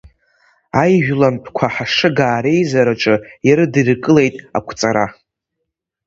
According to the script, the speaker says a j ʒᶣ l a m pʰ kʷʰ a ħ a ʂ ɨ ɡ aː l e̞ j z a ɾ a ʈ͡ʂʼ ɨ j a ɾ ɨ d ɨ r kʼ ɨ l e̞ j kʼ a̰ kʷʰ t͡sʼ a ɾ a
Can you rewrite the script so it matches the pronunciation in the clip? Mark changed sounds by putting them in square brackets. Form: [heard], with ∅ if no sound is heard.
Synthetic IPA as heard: a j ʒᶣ l a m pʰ kʷʰ a ħ a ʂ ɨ ɡ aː [ɾ] e̞ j z a ɾ a ʈ͡ʂʼ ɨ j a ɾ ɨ d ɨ r kʼ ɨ l e̞ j [tʼ] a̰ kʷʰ t͡sʼ a ɾ a